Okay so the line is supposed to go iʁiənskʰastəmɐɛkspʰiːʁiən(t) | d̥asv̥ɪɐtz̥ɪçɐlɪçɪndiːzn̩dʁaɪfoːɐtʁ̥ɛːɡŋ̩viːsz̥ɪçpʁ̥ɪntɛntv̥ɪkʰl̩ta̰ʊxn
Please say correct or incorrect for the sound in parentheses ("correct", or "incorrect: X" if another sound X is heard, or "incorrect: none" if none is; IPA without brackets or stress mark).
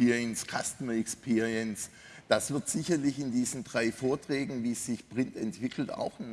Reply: incorrect: s